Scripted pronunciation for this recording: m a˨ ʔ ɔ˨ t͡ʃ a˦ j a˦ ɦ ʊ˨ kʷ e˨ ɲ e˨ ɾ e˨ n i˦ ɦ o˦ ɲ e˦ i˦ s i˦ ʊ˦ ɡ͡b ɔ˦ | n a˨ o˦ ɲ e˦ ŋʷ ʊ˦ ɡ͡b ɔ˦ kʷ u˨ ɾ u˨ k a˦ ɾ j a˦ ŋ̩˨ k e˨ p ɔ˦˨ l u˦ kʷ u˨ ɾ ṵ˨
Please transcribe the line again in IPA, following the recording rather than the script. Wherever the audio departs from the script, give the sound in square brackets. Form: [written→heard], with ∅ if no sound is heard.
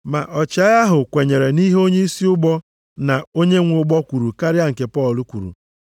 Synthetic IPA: m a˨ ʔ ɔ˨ t͡ʃ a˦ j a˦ ɦ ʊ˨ kʷ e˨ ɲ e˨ ɾ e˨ n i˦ ɦ o˦ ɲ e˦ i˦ s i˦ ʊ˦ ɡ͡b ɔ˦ | n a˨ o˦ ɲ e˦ ŋʷ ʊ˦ ɡ͡b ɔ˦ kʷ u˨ ɾ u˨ k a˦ ɾ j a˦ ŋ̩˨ k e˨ p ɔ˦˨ l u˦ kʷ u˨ ɾ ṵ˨